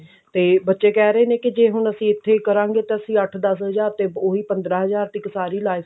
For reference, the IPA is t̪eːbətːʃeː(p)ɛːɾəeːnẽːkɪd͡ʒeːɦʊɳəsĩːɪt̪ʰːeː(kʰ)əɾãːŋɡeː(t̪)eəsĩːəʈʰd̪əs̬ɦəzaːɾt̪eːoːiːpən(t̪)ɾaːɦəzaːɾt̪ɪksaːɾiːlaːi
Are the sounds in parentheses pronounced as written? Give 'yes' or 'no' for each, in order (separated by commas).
no, no, yes, no